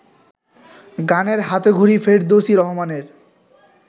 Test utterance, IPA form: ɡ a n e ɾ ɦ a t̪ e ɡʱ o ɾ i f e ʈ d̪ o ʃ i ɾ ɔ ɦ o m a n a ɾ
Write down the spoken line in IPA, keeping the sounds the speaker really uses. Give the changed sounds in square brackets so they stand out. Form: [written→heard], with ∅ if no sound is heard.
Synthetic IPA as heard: ɡ a n e ɾ ɦ a t̪ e ɡʱ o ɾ i f e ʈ d̪ o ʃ i ɾ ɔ ɦ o m a n [a→e] ɾ